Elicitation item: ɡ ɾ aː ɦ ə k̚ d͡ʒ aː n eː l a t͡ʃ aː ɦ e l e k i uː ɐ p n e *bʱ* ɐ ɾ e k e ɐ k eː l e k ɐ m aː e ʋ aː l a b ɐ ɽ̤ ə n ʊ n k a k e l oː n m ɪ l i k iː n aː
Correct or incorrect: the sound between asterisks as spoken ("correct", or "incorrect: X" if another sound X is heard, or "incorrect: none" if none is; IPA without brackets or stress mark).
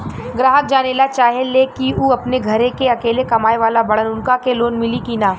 incorrect: ɡʱ